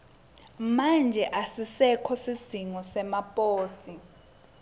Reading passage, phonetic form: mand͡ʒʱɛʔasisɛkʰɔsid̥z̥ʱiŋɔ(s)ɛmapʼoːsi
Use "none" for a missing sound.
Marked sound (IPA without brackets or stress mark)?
s